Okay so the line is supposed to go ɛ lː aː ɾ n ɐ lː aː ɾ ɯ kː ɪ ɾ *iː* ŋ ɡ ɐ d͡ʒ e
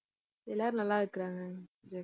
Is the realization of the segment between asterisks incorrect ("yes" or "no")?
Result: yes